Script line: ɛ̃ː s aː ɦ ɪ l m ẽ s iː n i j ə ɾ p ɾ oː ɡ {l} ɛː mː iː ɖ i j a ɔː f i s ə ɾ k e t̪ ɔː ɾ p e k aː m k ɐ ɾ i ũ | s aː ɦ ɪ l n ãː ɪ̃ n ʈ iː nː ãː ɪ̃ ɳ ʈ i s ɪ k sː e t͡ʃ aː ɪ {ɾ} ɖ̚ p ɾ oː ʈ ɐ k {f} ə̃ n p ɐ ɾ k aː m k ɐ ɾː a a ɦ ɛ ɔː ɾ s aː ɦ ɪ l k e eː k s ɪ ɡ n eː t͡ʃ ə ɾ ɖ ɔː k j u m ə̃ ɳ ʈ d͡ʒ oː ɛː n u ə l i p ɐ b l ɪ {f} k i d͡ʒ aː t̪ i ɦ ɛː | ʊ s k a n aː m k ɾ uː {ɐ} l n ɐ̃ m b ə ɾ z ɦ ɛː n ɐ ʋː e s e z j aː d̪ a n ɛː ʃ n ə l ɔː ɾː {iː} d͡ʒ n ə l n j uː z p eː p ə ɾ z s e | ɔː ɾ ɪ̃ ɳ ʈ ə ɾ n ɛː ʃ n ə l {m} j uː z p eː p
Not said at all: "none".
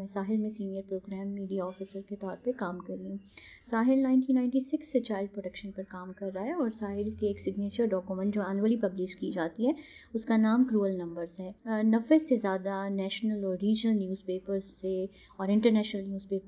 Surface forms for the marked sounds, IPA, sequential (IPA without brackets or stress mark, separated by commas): ɾ, l, ʃ, ʃ, ə, iː, n